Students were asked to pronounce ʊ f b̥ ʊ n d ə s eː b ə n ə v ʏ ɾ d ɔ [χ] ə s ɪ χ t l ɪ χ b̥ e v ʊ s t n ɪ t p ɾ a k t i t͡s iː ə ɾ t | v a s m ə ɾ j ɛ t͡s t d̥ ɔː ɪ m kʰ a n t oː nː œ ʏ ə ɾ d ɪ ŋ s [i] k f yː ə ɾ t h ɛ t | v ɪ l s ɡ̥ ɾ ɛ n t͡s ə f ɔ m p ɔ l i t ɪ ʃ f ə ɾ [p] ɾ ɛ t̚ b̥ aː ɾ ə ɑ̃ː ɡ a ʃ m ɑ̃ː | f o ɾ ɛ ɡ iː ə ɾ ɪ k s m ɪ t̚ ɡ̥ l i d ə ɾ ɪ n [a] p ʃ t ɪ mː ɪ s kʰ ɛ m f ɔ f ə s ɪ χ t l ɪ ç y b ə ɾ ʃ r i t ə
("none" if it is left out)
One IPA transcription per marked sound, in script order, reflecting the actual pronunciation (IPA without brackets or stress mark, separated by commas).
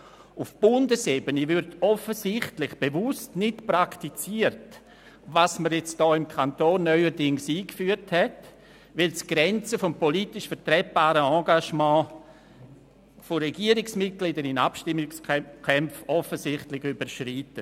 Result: f, iː, t, a